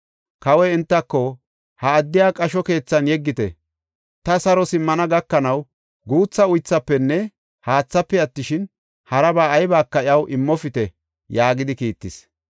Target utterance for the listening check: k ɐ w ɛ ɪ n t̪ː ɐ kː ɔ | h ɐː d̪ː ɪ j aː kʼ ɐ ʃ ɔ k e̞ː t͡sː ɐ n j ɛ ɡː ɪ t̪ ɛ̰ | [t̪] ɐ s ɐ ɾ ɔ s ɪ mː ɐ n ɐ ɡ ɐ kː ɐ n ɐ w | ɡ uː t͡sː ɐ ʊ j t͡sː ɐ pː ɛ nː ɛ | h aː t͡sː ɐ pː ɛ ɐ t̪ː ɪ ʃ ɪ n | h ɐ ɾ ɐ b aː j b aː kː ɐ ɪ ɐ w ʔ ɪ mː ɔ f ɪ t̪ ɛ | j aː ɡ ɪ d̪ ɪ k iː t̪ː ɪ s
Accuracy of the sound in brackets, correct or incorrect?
correct